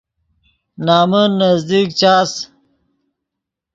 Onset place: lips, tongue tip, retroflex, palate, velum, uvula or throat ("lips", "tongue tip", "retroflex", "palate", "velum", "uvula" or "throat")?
tongue tip